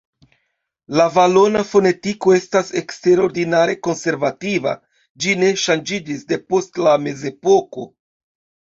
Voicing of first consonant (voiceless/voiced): voiced